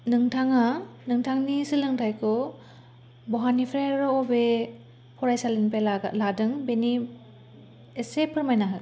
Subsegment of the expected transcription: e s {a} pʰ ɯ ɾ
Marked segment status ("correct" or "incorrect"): incorrect